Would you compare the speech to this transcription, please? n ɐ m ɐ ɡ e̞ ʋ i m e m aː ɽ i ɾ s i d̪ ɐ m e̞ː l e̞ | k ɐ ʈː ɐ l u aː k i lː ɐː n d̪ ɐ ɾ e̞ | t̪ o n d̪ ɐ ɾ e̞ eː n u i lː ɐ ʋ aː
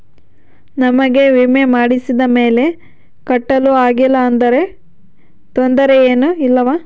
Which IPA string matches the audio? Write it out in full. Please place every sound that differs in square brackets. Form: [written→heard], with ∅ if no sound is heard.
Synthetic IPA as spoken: n ɐ m ɐ ɡ e̞ ʋ i m e m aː ɽ i [ɾ→∅] s i d̪ ɐ m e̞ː l e̞ | k ɐ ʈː ɐ l u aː [k→ɡ] i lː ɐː n d̪ ɐ ɾ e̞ | t̪ o n d̪ ɐ ɾ e̞ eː n u i lː ɐ ʋ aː